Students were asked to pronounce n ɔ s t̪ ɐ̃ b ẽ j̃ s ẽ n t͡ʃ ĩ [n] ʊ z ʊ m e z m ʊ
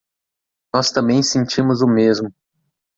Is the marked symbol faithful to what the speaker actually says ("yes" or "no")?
no